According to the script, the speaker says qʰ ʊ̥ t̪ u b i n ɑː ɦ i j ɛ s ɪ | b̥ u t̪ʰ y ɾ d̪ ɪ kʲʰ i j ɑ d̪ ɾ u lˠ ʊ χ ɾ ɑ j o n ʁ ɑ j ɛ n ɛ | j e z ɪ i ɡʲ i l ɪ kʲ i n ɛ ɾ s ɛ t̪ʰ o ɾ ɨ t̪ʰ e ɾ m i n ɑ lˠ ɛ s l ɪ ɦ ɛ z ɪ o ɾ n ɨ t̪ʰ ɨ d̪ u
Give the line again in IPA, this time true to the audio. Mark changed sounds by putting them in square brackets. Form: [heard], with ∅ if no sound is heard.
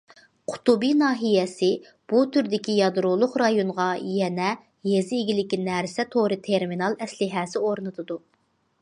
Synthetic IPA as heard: qʰ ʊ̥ t̪ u b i n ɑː ɦ i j ɛ s ɪ | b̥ u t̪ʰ y ɾ d̪ ɪ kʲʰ i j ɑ d̪ ɾ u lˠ ʊ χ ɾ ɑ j o n ʁ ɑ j ɛ n ɛ | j e z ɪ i ɡʲ i l ɪ kʲ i n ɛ ɾ s ɛ t̪ʰ o ɾ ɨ t̪ʰ e ɾ m i n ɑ lˠ ɛ s l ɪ ɦ ɛ [s] ɪ o ɾ n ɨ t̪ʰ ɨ d̪ u